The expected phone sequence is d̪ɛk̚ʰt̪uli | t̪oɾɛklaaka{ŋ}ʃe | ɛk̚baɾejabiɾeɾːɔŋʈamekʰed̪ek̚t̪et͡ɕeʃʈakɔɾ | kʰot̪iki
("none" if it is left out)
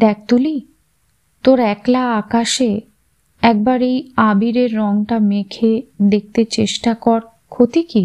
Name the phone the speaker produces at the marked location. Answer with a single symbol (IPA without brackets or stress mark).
none